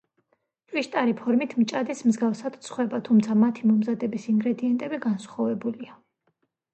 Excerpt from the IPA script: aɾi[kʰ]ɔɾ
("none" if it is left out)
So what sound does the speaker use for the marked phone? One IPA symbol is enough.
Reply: pʰ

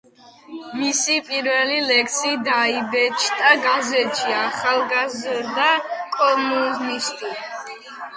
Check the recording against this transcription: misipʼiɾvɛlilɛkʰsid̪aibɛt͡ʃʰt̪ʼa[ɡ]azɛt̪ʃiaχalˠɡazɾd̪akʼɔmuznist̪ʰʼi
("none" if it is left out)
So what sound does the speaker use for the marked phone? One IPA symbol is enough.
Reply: ɡ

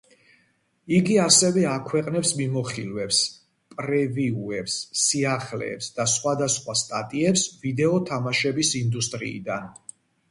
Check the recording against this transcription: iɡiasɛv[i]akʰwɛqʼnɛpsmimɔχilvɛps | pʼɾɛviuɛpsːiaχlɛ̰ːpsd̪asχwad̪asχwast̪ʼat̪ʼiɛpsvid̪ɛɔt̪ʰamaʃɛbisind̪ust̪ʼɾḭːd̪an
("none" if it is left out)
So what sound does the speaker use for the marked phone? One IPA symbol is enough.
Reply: ɛ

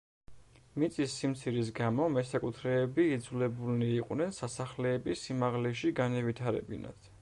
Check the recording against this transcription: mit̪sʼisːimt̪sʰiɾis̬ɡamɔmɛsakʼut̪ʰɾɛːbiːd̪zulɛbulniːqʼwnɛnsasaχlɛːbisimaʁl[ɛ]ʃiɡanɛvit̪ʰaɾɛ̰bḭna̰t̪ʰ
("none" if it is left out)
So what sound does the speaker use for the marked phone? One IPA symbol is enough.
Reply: ɛ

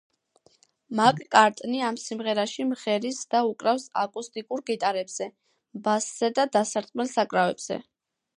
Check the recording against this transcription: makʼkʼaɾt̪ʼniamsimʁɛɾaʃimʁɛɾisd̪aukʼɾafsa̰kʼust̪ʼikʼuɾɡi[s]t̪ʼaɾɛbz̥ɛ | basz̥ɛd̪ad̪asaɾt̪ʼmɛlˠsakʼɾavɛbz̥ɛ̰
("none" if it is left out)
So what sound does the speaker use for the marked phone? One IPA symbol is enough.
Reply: none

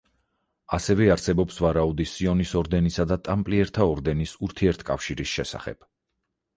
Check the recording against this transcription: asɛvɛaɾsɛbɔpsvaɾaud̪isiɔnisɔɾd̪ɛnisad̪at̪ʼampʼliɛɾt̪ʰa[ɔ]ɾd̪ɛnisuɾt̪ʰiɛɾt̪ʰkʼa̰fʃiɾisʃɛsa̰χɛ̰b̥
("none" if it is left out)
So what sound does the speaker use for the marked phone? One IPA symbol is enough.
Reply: ɔ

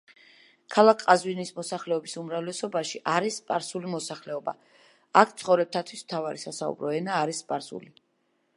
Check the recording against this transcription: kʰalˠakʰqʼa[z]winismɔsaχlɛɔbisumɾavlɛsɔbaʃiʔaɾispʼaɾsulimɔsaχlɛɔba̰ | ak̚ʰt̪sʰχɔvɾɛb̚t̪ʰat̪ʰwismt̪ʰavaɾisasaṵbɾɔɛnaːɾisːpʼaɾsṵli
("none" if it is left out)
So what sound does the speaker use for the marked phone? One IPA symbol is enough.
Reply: z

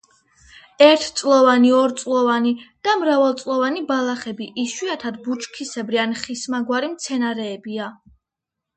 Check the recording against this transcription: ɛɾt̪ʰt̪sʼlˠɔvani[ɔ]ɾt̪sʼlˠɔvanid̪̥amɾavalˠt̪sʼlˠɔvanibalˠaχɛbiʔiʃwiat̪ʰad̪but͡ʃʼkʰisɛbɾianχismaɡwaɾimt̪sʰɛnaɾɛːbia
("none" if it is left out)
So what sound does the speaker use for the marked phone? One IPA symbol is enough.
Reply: ɔ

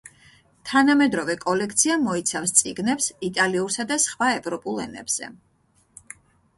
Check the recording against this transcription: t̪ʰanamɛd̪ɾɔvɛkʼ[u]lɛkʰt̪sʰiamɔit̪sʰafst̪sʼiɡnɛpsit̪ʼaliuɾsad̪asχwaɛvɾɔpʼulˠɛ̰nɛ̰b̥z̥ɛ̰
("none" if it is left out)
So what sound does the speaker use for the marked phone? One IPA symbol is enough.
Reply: ɔ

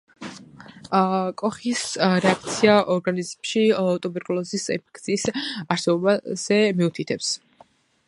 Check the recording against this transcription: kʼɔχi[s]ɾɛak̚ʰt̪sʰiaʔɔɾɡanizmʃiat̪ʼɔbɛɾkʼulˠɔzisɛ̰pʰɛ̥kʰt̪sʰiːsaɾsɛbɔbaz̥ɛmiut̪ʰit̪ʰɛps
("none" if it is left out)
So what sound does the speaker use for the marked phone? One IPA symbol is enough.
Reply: s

